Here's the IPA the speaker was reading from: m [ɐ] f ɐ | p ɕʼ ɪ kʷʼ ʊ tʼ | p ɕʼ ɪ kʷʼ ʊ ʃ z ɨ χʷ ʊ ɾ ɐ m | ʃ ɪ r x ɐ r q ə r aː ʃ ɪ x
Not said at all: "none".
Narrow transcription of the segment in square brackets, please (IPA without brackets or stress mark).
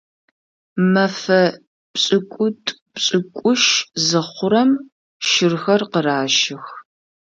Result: ɐ